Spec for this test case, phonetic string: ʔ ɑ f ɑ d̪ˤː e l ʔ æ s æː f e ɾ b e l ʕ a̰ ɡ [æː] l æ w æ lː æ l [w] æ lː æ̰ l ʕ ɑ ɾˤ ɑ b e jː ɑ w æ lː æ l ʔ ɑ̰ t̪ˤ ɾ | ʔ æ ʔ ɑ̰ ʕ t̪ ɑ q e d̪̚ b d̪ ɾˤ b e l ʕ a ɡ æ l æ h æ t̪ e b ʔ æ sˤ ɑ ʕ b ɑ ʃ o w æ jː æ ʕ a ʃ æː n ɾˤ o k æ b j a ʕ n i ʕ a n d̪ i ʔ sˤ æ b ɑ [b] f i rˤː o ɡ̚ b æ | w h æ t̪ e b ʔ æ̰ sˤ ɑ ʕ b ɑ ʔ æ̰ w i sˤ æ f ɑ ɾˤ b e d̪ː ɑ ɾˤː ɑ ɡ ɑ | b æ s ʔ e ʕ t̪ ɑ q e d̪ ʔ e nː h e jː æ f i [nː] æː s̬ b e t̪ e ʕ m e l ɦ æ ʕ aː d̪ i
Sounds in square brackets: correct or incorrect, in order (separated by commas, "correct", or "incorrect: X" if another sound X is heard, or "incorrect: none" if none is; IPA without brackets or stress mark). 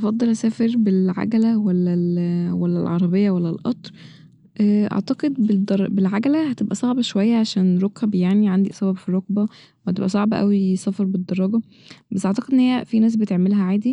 incorrect: æ, correct, correct, incorrect: n